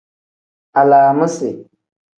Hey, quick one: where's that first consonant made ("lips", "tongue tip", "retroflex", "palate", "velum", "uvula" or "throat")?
tongue tip